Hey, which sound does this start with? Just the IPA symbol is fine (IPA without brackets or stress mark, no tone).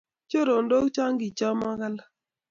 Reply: t͡ʃ